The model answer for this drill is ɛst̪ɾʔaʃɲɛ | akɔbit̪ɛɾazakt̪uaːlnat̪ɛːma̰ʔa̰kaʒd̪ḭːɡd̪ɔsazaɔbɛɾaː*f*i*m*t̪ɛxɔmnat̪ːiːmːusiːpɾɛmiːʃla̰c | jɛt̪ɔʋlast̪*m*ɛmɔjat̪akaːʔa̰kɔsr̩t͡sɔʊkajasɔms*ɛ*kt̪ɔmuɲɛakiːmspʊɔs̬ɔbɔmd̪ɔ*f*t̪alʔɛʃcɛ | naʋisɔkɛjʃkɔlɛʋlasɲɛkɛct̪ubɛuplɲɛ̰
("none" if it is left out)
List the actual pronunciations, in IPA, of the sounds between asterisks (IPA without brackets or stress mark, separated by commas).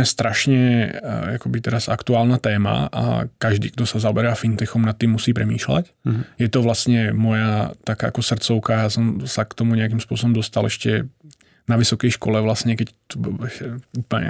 f, n, ɲ, a, s